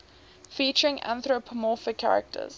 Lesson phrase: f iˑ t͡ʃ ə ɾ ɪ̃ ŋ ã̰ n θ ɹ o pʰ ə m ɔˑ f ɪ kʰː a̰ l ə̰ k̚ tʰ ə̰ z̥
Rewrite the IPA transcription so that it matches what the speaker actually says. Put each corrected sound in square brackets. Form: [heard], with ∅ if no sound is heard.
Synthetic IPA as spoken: f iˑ t͡ʃ ə [ɹ] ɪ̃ ŋ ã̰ n θ ɹ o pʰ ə m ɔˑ f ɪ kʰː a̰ [ɹ] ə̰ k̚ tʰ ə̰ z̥